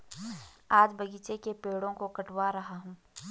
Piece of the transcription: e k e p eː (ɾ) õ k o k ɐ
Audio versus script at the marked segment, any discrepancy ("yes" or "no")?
yes